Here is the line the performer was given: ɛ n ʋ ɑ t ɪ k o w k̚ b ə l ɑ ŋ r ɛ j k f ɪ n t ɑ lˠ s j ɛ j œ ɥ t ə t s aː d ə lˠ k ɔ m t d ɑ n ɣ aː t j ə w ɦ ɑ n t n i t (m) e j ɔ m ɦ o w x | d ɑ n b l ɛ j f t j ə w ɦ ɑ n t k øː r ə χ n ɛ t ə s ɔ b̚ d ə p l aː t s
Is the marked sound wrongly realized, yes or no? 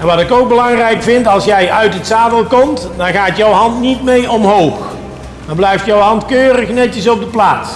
no